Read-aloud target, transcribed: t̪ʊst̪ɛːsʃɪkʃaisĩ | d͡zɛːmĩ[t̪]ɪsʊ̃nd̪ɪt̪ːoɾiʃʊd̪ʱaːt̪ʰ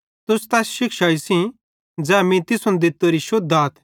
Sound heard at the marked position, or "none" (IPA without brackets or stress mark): t̪